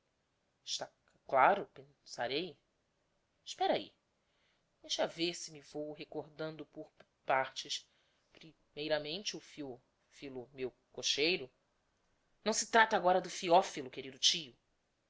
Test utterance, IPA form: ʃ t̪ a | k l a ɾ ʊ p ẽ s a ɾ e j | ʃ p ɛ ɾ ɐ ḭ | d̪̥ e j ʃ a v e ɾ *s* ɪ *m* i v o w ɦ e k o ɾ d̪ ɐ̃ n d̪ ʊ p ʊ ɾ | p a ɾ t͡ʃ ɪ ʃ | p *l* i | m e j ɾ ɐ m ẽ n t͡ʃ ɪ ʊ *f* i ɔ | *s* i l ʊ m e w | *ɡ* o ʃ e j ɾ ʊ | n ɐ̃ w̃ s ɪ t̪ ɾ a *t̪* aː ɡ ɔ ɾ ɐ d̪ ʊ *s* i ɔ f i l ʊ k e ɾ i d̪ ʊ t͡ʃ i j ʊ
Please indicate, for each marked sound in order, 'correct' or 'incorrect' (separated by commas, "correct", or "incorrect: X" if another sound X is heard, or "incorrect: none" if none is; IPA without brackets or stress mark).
correct, correct, incorrect: ɾ, correct, incorrect: f, incorrect: k, correct, incorrect: f